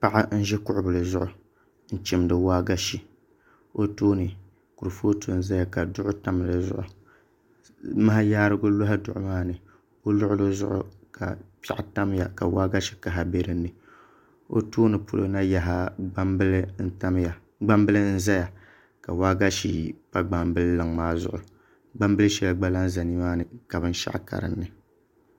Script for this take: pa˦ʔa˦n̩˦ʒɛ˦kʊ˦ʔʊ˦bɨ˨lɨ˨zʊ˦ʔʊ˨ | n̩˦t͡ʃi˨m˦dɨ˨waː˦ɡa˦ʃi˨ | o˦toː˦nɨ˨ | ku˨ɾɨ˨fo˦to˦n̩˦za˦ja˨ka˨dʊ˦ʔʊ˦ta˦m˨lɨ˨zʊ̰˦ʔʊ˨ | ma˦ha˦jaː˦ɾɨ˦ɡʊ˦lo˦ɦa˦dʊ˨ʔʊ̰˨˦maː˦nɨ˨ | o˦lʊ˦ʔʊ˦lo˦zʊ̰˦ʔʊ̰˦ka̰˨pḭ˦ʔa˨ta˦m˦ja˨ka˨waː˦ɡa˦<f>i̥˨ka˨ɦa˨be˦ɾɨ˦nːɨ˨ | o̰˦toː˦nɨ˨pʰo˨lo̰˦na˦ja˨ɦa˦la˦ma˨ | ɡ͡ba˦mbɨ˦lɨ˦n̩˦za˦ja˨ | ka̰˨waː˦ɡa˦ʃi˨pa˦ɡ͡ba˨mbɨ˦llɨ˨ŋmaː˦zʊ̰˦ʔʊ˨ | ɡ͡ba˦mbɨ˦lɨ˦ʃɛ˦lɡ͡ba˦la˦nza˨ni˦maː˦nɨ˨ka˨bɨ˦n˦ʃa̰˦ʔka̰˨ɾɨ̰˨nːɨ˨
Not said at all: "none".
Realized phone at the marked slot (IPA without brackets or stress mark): ʃ